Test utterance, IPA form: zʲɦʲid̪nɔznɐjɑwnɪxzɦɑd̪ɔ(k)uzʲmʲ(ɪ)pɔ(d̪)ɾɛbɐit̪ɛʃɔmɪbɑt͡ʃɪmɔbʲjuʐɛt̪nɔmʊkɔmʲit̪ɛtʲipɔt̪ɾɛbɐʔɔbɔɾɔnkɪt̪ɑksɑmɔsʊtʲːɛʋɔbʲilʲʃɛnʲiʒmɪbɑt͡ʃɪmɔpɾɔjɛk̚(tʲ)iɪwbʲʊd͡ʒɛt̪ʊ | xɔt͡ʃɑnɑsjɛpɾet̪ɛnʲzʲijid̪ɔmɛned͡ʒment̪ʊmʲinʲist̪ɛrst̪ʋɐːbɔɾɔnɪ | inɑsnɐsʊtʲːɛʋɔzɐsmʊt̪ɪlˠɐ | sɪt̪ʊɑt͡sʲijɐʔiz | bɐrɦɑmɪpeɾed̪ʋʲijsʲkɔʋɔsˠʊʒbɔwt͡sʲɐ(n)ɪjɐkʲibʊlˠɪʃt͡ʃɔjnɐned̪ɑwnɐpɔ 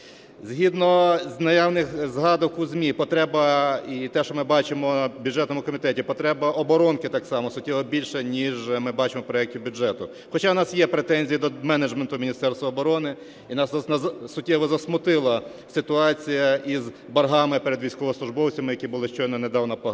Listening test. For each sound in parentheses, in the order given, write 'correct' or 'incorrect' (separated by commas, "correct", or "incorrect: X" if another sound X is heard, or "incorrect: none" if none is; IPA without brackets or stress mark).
correct, incorrect: i, incorrect: t̪, correct, incorrect: m